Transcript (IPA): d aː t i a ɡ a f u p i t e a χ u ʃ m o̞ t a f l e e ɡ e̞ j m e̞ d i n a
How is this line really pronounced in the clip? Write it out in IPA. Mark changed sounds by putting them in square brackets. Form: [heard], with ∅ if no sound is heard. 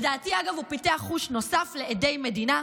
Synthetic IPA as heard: d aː t i a ɡ a [v] u p i t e a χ u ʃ [n] o̞ [s] a f l e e [d] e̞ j m e̞ d i n a